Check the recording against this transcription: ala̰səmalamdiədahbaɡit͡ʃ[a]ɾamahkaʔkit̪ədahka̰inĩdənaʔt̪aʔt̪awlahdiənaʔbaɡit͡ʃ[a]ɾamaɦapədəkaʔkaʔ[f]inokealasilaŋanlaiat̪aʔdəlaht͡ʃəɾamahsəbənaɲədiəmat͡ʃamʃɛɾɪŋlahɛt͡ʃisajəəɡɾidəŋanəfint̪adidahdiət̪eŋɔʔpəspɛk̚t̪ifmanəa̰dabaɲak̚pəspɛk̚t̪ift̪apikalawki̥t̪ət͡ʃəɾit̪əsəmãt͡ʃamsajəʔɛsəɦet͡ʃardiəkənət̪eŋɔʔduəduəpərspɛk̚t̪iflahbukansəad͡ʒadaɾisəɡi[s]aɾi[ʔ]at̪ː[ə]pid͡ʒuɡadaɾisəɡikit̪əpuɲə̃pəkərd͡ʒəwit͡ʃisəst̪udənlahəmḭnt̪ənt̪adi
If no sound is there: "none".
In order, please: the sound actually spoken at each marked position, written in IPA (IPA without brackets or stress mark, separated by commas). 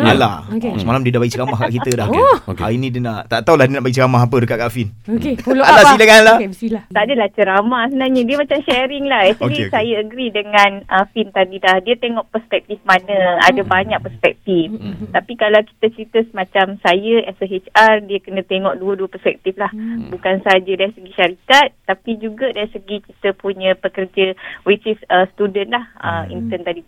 ə, ə, f, ʃ, k, a